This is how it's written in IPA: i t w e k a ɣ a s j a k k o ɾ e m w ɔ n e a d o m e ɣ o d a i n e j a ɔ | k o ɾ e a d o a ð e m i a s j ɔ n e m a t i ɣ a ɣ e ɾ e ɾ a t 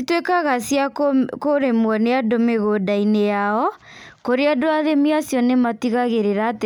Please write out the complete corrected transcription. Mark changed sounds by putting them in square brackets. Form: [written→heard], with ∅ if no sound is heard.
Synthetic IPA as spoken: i t w e k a ɣ a s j a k k o ɾ e m w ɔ n e a d o m e ɣ o d a i n e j a ɔ | k o ɾ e a d o a ð e m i a s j ɔ n e m a t i ɣ a ɣ e ɾ e ɾ a t